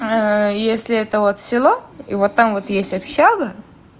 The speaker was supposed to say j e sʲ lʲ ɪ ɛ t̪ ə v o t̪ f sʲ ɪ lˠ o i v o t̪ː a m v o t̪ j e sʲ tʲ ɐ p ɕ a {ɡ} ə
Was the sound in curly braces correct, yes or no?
yes